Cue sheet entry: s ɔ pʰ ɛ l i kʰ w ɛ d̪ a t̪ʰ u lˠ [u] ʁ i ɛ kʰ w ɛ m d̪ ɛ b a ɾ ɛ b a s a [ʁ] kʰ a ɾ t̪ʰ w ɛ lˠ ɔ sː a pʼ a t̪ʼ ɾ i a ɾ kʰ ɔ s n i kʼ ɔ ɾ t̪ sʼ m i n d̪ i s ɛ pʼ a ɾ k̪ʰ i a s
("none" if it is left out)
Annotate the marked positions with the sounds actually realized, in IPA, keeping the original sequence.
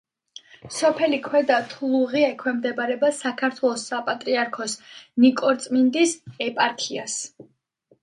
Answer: u, none

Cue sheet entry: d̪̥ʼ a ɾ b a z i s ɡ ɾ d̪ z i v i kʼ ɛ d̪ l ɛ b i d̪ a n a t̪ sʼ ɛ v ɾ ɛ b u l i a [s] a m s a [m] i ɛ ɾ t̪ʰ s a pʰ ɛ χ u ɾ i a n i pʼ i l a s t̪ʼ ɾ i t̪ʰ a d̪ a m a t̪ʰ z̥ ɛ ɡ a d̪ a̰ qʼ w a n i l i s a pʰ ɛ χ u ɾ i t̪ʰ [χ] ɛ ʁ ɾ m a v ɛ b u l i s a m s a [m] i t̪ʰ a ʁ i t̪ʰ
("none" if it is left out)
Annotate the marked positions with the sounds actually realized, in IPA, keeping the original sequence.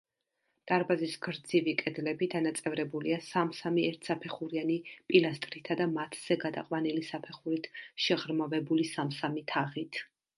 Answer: s, m, ʃ, m

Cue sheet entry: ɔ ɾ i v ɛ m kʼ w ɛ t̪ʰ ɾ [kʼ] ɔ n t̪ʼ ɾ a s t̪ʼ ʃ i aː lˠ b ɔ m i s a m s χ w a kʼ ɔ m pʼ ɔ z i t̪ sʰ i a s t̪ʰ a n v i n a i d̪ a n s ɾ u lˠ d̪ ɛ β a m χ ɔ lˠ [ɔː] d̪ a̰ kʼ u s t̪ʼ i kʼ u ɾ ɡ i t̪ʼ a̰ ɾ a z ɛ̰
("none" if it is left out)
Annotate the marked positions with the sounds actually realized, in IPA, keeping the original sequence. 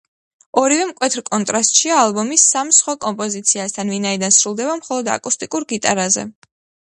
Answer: kʼ, ɔ

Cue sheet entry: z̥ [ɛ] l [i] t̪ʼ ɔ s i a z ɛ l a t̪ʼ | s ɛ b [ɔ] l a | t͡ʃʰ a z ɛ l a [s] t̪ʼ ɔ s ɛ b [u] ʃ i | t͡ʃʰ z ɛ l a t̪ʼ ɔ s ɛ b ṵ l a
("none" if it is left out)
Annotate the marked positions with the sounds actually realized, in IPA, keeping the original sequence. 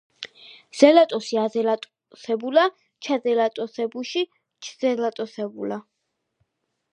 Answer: ɛ, a, u, none, u

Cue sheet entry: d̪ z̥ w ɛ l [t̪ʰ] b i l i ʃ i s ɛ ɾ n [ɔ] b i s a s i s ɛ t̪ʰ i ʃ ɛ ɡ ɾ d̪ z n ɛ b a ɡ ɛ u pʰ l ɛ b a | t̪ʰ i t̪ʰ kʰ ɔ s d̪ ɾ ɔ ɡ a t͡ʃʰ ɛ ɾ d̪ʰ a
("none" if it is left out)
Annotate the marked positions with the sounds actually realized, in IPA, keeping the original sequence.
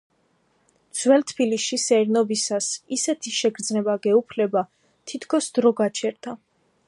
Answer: t̪ʰ, ɔ

